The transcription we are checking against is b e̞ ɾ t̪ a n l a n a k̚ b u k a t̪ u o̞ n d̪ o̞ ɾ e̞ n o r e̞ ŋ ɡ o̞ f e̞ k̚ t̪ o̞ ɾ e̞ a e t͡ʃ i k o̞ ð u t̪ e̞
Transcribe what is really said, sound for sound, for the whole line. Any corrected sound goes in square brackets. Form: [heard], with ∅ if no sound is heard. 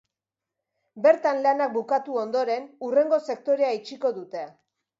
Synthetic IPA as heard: b e̞ ɾ t̪ a n l a n a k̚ b u k a t̪ u o̞ n d̪ o̞ ɾ e̞ n [u] r e̞ ŋ ɡ o̞ [s] e̞ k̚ t̪ o̞ ɾ e̞ a [i] t͡ʃ i k o̞ ð u t̪ e̞

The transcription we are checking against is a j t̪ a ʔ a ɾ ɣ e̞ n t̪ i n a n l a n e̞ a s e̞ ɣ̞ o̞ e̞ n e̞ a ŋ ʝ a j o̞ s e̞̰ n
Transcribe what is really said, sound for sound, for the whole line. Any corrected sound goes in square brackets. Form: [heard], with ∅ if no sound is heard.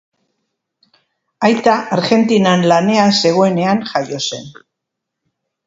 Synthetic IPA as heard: a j t̪ a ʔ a ɾ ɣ e̞ n t̪ i n a n l a n e̞ a s e̞ ɣ̞ o̞ e̞ n e̞ a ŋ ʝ a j o̞ s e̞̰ n

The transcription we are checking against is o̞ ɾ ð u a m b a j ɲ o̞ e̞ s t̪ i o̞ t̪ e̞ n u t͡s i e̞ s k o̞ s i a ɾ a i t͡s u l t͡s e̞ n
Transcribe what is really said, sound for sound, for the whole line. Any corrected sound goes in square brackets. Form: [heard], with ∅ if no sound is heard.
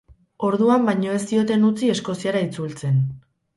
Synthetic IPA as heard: o̞ ɾ ð u a m b a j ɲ o̞ e̞ s t̪ i o̞ t̪ e̞ n u t͡s i e̞ s k o̞ s i a ɾ a i t͡s u l t͡s e̞ n

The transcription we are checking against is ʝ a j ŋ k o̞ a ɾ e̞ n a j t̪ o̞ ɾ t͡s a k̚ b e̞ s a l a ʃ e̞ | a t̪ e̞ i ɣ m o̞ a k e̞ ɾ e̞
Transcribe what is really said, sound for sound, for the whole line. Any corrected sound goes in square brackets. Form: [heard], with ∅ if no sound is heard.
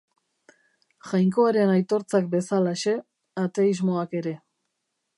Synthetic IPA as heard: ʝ a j ŋ k o̞ a ɾ e̞ n a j t̪ o̞ ɾ t͡s a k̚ b e̞ s a l a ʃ e̞ | a t̪ e̞ i [z] m o̞ a k e̞ ɾ e̞

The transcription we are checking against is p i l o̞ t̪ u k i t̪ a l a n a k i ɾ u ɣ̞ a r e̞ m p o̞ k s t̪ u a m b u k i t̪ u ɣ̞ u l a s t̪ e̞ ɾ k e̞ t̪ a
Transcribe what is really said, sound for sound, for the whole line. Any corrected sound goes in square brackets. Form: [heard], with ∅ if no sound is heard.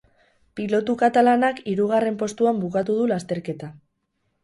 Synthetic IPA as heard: p i l o̞ t̪ u k [a] t̪ a l a n a k i ɾ u ɣ̞ a r e̞ m p o̞ [∅] s t̪ u a m b u k [a] t̪ u [ð̞] u l a s t̪ e̞ ɾ k e̞ t̪ a

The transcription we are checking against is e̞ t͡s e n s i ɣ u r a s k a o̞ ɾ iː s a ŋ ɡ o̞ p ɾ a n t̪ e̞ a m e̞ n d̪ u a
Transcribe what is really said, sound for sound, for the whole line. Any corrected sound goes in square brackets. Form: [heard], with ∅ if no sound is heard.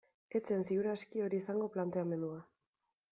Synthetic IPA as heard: e̞ t͡s e n s i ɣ u [ɾ] a s k [i] o̞ ɾ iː s a ŋ ɡ o̞ p [l] a n t̪ e̞ a m e̞ n d̪ u a

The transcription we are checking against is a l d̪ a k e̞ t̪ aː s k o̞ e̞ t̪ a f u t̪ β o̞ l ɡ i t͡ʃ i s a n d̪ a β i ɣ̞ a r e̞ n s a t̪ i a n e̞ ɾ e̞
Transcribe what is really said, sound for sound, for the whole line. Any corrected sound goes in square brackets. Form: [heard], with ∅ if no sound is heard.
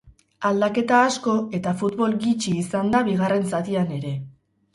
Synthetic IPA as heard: a l d̪ a k e̞ t̪ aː s k o̞ e̞ t̪ a f u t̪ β o̞ l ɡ i t͡ʃ [iː] s a n d̪ a β i ɣ̞ a r e̞ n s a t̪ i a n e̞ ɾ e̞

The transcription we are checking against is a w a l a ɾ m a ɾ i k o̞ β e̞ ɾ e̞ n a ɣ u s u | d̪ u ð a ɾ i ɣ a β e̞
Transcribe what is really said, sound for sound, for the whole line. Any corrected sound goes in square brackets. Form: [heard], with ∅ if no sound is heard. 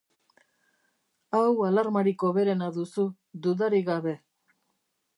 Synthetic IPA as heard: a w a l a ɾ m a ɾ i k o̞ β e̞ ɾ e̞ n a [ð] u s u | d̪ u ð a ɾ i ɣ a β e̞

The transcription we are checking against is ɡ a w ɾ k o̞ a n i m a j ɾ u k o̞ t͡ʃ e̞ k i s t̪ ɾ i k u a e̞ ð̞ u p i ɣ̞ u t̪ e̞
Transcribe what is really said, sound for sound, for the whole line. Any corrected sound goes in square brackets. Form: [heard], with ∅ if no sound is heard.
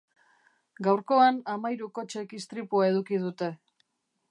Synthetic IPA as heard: ɡ a w ɾ k o̞ a n [a] m a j ɾ u k o̞ t͡ʃ e̞ k i s t̪ ɾ i [p] u a e̞ ð̞ u [k] i [ð̞] u t̪ e̞

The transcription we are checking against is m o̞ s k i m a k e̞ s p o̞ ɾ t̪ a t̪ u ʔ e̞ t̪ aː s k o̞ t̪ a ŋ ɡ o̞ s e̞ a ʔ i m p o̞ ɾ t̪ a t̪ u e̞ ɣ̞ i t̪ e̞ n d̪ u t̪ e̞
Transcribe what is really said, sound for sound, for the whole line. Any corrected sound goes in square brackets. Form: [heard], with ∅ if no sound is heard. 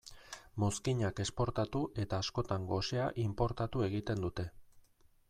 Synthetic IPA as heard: m o̞ s k i [ɲ] a k e̞ s p o̞ ɾ t̪ a t̪ u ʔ e̞ t̪ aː s k o̞ t̪ a ŋ ɡ o̞ s e̞ a ʔ i m p o̞ ɾ t̪ a t̪ u e̞ ɣ̞ i t̪ e̞ n d̪ u t̪ e̞

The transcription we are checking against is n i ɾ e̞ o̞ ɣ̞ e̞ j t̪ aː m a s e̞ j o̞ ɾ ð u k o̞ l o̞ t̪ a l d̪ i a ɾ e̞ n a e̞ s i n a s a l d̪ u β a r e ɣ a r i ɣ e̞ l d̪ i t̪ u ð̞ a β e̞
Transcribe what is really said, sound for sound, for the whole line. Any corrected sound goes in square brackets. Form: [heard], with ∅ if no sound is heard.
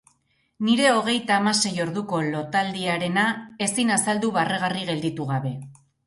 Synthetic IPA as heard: n i ɾ e̞ o̞ ɣ̞ e̞ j t̪ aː m a s e̞ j o̞ ɾ ð u k o̞ l o̞ t̪ a l d̪ i a ɾ e̞ n a e̞ s i n a s a l d̪ u β a r e ɣ a r i ɣ e̞ l d̪ i t̪ u [ɣ̞] a β e̞

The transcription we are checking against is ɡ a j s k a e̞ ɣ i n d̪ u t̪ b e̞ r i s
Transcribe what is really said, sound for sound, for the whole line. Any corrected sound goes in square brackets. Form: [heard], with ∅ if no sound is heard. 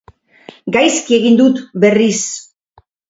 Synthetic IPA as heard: ɡ a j s k [i] e̞ ɣ i n d̪ u t̪ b e̞ r i s

